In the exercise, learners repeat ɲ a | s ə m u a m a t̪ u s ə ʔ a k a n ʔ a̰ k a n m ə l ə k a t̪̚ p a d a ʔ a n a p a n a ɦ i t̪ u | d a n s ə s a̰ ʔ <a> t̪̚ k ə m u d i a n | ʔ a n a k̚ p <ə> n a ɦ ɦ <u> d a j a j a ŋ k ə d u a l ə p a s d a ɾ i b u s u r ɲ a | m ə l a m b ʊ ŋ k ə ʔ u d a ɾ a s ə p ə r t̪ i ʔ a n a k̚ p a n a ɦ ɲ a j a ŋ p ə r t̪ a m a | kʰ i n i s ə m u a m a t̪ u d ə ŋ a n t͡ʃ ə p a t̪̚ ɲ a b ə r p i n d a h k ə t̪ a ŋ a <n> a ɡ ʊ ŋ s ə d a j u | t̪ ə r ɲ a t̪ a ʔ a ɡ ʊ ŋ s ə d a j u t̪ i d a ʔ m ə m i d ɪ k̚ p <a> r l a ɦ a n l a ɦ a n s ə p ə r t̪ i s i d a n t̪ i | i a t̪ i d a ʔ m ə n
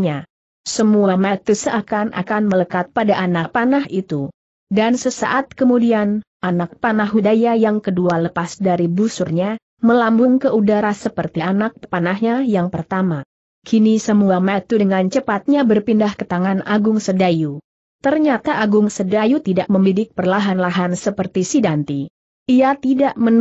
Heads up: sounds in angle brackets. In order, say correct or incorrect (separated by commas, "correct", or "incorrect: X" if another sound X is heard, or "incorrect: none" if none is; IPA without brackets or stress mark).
correct, incorrect: a, correct, correct, incorrect: ə